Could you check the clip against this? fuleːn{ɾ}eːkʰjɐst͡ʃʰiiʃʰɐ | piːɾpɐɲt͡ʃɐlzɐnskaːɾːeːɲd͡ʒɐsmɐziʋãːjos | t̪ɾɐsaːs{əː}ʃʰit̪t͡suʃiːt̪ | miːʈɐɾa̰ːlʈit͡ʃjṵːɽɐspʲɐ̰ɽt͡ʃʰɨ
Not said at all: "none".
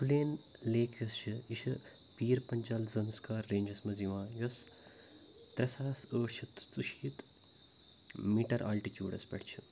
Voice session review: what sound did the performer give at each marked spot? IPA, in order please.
l, əː

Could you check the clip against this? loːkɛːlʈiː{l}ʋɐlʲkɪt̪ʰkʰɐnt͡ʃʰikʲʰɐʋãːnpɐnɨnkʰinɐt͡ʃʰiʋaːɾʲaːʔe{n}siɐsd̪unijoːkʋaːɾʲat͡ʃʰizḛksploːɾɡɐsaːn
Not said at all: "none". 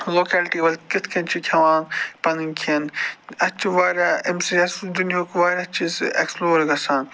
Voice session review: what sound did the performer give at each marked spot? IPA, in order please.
none, m

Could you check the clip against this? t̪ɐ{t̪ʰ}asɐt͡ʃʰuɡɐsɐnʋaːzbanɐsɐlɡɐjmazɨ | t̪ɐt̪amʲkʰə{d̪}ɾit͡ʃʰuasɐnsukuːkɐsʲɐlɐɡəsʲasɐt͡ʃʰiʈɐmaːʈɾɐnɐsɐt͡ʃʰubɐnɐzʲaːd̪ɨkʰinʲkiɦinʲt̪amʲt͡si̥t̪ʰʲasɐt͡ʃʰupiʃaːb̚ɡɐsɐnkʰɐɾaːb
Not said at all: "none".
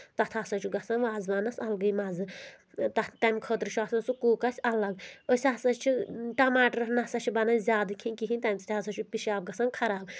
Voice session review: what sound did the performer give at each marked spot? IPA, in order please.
t̪ʰ, t̪

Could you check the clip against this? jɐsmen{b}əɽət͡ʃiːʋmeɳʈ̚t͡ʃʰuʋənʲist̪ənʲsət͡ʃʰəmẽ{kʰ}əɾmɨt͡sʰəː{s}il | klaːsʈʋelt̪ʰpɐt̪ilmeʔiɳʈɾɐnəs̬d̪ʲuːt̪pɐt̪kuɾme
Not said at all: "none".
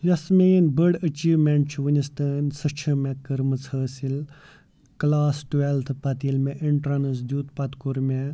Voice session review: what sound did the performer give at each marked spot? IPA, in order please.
b, k, s

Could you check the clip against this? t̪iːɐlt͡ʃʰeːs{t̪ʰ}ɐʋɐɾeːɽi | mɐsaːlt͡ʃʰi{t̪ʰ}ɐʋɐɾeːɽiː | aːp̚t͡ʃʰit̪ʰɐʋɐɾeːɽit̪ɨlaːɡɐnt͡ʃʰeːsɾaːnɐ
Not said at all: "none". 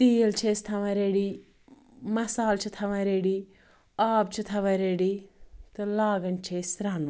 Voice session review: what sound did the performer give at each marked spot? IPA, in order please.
t̪ʰ, t̪ʰ

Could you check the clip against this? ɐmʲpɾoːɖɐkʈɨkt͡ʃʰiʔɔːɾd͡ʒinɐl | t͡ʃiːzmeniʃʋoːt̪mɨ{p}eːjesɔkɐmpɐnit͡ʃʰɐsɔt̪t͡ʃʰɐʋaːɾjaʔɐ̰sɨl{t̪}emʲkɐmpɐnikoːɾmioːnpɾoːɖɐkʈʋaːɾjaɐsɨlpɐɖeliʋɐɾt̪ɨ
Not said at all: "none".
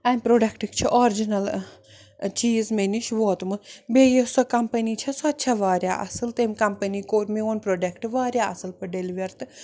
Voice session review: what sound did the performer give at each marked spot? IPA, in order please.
b, t̪

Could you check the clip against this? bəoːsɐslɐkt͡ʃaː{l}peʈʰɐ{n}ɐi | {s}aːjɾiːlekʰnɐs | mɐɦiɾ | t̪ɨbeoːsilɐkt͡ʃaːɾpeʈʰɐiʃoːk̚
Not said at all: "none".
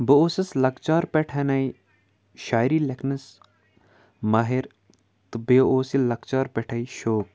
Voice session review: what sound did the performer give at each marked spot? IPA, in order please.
ɾ, n, ʃ

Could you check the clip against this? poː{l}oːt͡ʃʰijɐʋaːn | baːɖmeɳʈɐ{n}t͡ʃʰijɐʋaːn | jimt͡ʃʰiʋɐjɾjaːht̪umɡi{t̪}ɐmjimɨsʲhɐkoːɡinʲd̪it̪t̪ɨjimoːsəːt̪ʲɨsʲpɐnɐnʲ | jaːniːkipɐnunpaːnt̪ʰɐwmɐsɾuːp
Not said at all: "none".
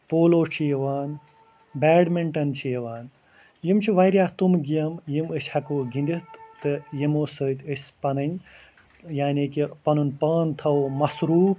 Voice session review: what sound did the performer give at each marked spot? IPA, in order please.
l, n, none

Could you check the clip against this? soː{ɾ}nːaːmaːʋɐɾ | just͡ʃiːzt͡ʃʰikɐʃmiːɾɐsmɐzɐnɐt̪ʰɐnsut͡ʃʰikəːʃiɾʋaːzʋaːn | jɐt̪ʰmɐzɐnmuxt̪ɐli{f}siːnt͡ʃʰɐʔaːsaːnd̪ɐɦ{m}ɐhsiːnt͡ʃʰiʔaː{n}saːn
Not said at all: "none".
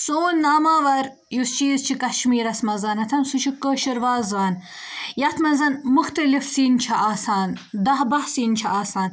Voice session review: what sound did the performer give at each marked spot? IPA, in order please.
none, f, b, none

